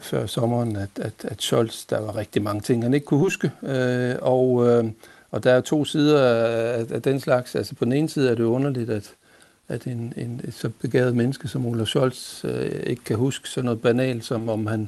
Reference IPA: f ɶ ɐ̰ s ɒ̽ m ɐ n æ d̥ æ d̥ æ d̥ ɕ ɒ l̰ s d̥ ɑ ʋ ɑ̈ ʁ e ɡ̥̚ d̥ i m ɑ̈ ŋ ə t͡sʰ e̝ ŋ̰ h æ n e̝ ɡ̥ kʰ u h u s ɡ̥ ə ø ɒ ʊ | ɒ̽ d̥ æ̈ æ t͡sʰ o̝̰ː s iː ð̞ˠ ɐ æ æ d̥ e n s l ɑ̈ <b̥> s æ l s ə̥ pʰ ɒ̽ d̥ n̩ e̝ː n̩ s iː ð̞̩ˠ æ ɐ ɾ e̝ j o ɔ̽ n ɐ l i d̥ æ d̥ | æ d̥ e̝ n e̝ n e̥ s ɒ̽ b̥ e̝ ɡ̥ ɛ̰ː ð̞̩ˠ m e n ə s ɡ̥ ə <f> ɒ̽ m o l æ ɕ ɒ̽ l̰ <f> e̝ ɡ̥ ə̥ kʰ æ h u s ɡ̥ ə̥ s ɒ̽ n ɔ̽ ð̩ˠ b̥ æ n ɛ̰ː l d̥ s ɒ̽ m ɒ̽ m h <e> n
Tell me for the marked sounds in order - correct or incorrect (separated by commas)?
incorrect, incorrect, incorrect, incorrect